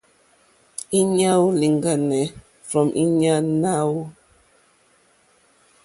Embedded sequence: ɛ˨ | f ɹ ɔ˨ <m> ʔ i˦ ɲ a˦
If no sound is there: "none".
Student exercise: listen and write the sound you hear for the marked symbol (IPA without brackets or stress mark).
m